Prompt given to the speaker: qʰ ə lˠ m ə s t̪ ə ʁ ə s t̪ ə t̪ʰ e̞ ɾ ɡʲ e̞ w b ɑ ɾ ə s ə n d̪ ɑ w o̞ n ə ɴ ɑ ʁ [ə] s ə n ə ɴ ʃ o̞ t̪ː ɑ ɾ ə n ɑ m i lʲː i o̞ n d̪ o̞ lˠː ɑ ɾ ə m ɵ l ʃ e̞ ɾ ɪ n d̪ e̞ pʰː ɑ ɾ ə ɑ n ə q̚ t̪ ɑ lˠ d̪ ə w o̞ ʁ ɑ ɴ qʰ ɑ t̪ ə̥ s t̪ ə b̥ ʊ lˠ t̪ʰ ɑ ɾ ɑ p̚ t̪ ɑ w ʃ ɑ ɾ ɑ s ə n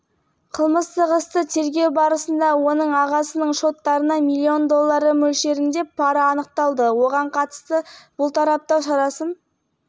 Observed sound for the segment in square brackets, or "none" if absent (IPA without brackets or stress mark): ɑ